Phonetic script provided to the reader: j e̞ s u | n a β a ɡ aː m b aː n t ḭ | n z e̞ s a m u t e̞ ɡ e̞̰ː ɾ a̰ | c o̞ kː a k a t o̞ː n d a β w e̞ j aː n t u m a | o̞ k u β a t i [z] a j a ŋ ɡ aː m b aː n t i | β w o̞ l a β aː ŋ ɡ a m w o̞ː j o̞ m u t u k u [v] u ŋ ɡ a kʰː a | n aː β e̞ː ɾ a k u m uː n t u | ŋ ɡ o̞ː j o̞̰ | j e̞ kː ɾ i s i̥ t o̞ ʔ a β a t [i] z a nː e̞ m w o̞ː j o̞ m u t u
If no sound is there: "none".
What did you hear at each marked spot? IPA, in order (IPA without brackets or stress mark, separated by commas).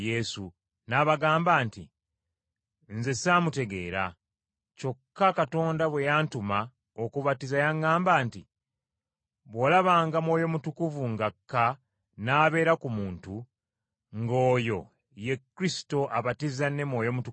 z, v, i